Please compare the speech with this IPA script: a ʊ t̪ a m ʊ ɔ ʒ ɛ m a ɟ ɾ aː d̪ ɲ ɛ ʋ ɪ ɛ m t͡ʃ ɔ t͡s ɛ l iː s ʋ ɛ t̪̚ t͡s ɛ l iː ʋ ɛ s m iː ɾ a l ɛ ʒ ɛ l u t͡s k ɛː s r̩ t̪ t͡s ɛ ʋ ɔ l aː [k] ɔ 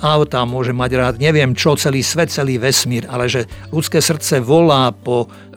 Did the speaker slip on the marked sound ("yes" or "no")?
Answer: yes